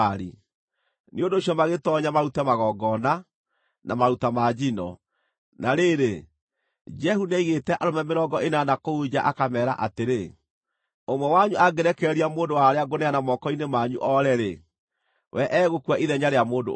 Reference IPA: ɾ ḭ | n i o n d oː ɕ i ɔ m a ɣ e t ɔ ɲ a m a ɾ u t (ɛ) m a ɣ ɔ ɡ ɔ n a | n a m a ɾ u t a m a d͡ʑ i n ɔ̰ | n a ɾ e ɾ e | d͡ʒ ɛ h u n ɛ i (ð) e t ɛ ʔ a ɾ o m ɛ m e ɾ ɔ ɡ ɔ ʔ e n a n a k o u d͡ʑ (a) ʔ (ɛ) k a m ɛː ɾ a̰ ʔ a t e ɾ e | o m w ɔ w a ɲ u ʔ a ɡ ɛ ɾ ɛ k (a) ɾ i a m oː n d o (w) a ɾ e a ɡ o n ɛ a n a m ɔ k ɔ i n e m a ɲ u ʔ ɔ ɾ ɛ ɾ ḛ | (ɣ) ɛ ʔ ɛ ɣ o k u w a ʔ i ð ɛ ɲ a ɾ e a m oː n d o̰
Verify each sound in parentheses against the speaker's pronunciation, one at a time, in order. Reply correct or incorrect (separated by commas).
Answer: correct, incorrect, correct, incorrect, incorrect, correct, incorrect